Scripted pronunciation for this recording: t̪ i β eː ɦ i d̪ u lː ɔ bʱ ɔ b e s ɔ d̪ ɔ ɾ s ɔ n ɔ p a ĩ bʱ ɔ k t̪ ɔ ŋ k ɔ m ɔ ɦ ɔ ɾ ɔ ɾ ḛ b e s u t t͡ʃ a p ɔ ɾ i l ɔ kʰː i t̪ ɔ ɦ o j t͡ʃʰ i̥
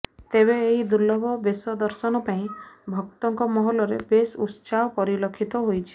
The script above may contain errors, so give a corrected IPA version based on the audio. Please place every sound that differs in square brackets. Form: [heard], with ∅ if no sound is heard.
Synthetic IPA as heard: t̪ [e] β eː ɦ i d̪ u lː ɔ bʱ ɔ b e s ɔ d̪ ɔ ɾ s ɔ n ɔ p a ĩ bʱ ɔ k t̪ ɔ ŋ k ɔ m ɔ ɦ ɔ [l] ɔ ɾ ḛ b e s u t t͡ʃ a p ɔ ɾ i l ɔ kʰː i t̪ ɔ ɦ o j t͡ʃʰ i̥

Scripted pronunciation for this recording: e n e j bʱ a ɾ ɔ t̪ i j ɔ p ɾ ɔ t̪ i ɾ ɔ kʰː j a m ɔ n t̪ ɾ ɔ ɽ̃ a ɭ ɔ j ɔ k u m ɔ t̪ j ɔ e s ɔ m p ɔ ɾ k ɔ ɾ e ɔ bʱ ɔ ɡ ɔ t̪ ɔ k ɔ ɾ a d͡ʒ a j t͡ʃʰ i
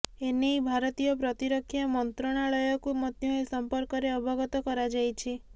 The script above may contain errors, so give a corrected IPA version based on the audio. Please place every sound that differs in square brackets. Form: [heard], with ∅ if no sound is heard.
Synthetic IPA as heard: e n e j bʱ a ɾ ɔ t̪ i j ɔ p ɾ ɔ t̪ i ɾ ɔ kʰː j a m ɔ n t̪ ɾ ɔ ɽ̃ a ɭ ɔ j ɔ k u m ɔ t̪ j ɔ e s ɔ m p ɔ ɾ k ɔ ɾ e ɔ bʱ ɔ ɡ ɔ t̪ ɔ k ɔ ɾ a d͡ʒ a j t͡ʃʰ i

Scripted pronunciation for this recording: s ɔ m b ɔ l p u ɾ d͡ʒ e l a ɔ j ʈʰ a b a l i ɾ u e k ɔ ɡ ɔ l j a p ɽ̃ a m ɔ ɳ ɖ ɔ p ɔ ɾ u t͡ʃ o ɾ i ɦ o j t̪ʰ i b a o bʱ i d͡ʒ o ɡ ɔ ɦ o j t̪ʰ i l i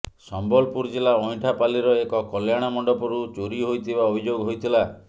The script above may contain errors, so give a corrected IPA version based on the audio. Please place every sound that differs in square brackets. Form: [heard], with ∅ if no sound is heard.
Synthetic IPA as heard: s ɔ m b ɔ l p u ɾ d͡ʒ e l a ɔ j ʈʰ a [p] a l i ɾ [ɔ] e k ɔ [k] ɔ l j a [∅] ɽ̃ a m ɔ ɳ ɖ ɔ p ɔ ɾ u t͡ʃ o ɾ i ɦ o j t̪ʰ i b a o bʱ i d͡ʒ o ɡ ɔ ɦ o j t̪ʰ i l [a]

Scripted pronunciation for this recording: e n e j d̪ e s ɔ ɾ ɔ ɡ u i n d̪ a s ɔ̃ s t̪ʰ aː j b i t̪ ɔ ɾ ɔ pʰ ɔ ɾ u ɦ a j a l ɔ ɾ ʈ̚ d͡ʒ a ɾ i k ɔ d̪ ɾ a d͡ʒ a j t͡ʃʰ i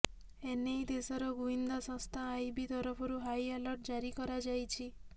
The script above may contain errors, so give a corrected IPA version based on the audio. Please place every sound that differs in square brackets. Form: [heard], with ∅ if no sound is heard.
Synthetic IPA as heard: e n e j d̪ e s ɔ ɾ ɔ ɡ u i n d̪ a s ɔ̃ s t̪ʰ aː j b i t̪ ɔ ɾ ɔ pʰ ɔ ɾ u ɦ a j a l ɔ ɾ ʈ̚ d͡ʒ a ɾ i k ɔ [∅] ɾ a d͡ʒ a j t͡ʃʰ i

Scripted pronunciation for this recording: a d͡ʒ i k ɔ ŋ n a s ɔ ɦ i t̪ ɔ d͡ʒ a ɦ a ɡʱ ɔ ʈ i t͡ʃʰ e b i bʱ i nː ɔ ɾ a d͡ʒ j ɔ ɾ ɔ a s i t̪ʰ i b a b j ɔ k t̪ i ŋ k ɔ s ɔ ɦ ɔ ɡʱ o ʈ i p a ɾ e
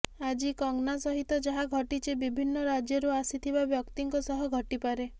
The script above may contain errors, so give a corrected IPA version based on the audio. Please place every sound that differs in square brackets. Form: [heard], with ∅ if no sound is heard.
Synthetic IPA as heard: a d͡ʒ i k ɔ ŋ n a s ɔ ɦ i t̪ ɔ d͡ʒ a ɦ a ɡʱ ɔ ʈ i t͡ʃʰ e b i bʱ i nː ɔ ɾ a d͡ʒ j ɔ ɾ [u] a s i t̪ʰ i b a b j ɔ k t̪ i ŋ k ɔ s ɔ ɦ ɔ ɡʱ [ɔ] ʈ i p a ɾ e

